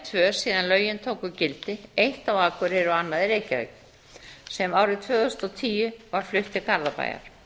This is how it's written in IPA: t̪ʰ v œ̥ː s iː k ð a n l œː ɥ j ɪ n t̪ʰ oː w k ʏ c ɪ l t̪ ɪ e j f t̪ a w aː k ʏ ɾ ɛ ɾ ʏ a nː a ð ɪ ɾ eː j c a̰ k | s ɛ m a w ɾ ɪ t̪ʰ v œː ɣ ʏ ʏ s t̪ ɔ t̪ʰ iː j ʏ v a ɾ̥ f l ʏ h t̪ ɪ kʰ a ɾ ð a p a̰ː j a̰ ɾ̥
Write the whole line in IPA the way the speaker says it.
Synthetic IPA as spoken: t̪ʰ v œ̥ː s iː ð a n l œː ɥ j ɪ n t̪ʰ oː w k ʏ c ɪ l t̪ ɪ e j h t̪ a w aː k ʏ ɾ ɛ ɾ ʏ a nː a ð ɪ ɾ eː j c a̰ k | s ɛ m a w ɾ ɪ t̪ʰ v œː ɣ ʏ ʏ s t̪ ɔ t̪ʰ iː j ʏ v a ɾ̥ f l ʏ h t̪ ɪ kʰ a ɾ ð a p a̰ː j a̰ ɾ̥